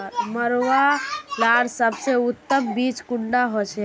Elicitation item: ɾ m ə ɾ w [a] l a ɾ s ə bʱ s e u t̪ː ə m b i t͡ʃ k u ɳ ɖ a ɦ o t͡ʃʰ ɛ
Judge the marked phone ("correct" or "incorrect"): correct